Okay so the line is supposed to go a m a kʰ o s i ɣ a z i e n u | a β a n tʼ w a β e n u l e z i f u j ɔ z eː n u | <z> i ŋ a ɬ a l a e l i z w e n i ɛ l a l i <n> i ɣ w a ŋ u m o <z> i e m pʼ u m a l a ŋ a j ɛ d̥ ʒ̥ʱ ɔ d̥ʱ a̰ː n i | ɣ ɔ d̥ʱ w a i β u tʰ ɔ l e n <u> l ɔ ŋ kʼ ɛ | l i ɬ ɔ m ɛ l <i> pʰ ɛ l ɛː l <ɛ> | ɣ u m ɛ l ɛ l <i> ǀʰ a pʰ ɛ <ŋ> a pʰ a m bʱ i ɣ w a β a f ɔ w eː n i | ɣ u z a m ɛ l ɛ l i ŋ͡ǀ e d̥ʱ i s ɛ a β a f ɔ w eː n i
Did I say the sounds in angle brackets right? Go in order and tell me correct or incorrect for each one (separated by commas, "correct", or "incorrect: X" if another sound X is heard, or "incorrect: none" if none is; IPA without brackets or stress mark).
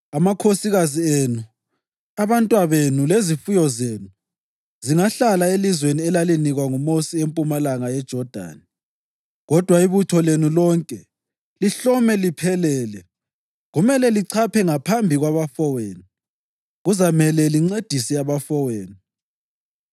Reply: correct, correct, incorrect: s, correct, correct, correct, correct, correct